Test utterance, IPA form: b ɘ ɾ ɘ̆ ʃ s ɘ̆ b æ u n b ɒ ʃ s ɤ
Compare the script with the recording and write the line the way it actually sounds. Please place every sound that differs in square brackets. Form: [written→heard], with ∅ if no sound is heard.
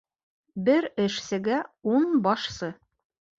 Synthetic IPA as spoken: b ɘ ɾ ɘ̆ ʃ s ɘ̆ [b→ɡ] æ u n b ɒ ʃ s ɤ